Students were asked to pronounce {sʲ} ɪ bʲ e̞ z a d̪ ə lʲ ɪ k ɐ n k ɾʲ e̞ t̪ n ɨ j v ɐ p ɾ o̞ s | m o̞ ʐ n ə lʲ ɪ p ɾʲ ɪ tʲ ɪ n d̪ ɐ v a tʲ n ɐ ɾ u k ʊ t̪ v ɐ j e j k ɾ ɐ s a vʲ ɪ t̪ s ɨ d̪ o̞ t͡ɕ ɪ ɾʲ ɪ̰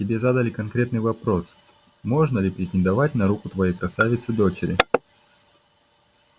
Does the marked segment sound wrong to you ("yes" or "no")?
yes